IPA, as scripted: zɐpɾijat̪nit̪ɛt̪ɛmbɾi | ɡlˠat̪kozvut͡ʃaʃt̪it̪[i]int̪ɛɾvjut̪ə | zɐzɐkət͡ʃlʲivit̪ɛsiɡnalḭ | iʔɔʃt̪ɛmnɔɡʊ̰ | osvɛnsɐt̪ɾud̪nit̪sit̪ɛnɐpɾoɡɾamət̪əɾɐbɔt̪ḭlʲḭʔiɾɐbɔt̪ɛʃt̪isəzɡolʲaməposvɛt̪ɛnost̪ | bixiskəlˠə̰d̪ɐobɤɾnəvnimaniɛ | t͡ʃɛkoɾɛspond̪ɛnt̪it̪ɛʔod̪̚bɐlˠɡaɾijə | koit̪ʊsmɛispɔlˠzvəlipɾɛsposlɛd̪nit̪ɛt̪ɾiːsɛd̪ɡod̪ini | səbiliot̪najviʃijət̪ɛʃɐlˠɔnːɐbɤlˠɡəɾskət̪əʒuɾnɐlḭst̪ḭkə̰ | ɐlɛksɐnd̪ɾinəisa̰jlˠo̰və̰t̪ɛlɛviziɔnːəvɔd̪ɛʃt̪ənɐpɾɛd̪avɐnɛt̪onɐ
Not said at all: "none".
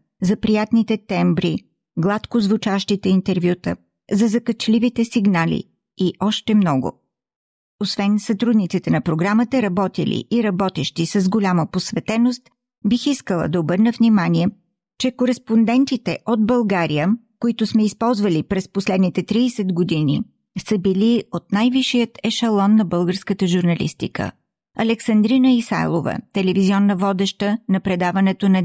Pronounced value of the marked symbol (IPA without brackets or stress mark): ɛ